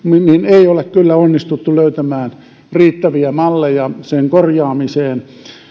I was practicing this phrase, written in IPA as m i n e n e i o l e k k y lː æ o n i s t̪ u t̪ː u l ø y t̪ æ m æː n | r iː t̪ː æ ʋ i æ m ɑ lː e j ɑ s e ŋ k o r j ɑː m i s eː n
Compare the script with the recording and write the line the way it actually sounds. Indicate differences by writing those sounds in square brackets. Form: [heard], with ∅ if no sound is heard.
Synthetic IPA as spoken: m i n [i] n e i o l e k k y lː æ o [nː] i s t̪ u t̪ː u l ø y t̪ æ m æː n | r iː t̪ː æ ʋ i æ m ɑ lː e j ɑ s e ŋ k o r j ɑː m i s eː n